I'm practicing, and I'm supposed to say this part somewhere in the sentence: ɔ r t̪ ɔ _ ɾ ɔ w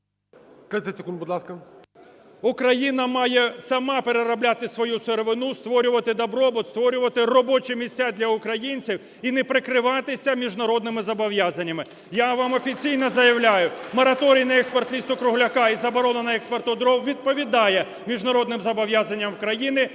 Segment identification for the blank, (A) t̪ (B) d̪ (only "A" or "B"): B